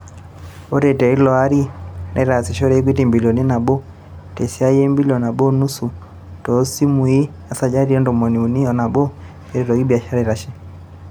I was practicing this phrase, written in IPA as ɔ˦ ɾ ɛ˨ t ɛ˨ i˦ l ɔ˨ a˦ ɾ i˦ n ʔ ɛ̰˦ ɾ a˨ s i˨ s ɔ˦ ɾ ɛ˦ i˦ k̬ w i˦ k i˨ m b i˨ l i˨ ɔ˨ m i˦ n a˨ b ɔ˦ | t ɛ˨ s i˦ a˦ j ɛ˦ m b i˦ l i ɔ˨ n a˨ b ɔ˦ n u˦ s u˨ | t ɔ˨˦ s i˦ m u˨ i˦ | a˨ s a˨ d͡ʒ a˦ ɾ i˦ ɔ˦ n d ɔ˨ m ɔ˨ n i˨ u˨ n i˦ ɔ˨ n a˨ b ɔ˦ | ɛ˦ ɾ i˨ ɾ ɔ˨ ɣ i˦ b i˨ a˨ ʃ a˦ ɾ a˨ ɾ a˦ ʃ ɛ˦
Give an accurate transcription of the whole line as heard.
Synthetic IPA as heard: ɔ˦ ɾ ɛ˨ t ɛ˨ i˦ l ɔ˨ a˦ ɾ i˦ n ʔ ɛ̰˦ ɾ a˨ s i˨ ʃ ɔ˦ ɾ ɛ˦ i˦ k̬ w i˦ t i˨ m b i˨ l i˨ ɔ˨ n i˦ n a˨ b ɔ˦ | t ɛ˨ s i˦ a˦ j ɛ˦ m b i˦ l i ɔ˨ n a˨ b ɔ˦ n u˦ s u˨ | t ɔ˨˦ s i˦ m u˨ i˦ | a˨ s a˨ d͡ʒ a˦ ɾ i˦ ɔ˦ n d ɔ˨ m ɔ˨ n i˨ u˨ n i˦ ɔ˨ n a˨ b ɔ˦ | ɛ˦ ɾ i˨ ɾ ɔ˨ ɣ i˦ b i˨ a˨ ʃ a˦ ɾ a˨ ɾ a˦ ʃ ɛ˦